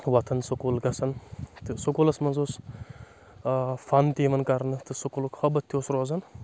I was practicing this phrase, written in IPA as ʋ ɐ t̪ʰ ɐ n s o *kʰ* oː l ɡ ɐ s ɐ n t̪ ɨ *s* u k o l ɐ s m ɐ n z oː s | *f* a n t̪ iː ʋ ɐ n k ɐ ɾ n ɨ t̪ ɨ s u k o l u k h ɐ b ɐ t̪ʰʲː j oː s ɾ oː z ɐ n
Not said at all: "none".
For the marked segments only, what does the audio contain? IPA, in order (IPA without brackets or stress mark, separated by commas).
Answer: k, s, f